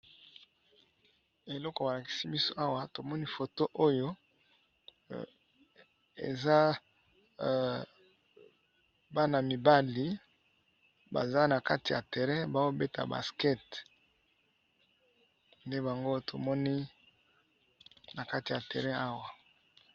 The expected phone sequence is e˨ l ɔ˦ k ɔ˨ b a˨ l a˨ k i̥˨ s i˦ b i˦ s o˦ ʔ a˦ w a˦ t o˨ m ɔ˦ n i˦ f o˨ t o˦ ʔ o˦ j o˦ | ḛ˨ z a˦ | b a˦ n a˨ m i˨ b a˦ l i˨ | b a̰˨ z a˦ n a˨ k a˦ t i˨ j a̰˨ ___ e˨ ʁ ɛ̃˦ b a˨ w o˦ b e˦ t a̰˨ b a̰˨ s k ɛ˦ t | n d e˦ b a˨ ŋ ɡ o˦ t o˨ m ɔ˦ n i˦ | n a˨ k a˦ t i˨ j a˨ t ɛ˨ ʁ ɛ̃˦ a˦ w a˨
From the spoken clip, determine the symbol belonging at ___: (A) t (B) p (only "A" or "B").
A